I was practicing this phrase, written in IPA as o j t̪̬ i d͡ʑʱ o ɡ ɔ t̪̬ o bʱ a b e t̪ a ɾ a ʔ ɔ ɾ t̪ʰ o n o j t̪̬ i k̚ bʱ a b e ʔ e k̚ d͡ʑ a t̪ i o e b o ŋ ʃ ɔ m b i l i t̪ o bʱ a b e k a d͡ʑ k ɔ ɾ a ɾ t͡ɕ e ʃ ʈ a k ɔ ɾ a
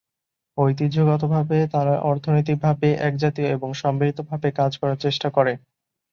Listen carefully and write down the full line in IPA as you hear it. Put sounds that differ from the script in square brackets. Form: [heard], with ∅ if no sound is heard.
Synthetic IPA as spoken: o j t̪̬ i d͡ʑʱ o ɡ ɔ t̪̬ o bʱ a b e t̪ a ɾ a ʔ ɔ ɾ t̪ʰ o n o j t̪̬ i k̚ bʱ a b e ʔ [ɛ] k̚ d͡ʑ a t̪ i o e b o ŋ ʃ ɔ m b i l i t̪ o bʱ a b e k a d͡ʑ k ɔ ɾ a ɾ t͡ɕ e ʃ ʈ a k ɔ ɾ [e]